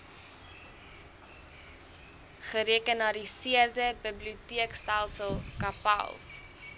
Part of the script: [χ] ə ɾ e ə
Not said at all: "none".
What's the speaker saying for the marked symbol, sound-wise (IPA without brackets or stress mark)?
χ